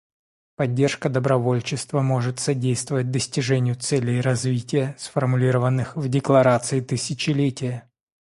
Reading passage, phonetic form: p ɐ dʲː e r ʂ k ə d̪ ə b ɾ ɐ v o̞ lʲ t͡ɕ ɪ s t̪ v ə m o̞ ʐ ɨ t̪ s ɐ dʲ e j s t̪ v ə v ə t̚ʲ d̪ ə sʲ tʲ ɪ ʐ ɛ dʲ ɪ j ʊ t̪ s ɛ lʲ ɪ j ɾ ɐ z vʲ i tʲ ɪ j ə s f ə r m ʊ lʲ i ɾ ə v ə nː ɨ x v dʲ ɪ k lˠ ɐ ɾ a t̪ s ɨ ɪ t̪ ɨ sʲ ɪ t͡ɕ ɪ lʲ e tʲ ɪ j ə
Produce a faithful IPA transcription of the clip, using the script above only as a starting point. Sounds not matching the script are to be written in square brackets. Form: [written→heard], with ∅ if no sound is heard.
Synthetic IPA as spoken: p ɐ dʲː e r ʂ k ə d̪ ə b ɾ ɐ v o̞ lʲ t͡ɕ ɪ s t̪ v ə m o̞ ʐ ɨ t̪ s ɐ dʲ e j s t̪ v ə v ə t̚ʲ d̪ ə sʲ tʲ ɪ ʐ ɛ [dʲ→nʲ] ɪ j ʊ t̪ s ɛ lʲ ɪ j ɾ ɐ z vʲ i tʲ ɪ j ə s f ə r m ʊ lʲ i ɾ ə v ə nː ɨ x v dʲ ɪ k lˠ ɐ ɾ a t̪ s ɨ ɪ t̪ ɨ sʲ ɪ t͡ɕ ɪ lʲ e tʲ ɪ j ə